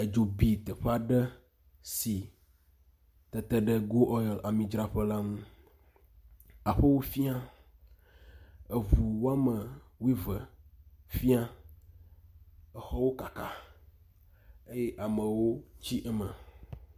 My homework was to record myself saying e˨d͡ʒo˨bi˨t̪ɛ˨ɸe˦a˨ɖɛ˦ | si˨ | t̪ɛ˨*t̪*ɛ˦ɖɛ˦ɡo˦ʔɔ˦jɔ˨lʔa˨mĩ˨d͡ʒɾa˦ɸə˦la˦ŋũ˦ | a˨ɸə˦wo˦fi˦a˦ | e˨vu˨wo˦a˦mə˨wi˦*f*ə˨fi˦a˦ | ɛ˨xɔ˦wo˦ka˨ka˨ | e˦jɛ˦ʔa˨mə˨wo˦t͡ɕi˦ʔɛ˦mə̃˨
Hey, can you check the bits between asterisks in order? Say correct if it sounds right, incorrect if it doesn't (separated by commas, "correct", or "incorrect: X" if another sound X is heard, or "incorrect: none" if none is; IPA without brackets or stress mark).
correct, incorrect: v